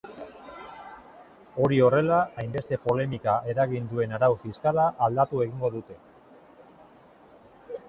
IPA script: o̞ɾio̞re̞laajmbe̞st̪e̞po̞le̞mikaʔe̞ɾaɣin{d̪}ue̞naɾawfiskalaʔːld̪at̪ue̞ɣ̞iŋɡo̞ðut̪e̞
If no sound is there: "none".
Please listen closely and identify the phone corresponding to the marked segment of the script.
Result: d̪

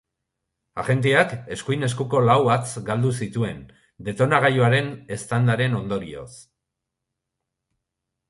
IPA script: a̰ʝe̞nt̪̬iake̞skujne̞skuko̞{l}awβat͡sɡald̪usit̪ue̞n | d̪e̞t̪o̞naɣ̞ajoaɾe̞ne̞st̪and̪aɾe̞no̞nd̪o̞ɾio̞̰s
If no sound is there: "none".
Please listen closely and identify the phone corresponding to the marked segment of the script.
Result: l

